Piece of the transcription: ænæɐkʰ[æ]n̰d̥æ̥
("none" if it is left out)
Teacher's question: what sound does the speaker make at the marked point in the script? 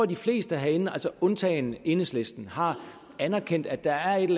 e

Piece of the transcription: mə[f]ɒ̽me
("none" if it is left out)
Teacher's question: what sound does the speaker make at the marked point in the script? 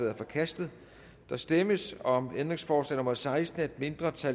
s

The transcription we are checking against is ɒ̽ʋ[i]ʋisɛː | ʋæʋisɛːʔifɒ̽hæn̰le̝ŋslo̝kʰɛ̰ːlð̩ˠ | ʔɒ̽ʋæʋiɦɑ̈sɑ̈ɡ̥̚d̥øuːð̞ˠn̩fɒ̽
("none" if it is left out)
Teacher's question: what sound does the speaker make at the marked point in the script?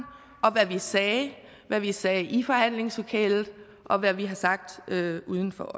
æ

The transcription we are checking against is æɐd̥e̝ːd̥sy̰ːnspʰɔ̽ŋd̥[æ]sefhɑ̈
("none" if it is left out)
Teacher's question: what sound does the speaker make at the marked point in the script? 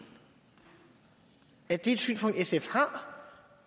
e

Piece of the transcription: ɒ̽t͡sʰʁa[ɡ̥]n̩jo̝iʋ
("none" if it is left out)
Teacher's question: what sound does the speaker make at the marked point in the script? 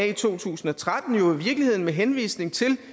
d̥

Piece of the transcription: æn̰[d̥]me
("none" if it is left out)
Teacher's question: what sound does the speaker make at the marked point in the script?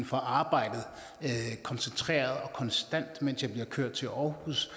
d̥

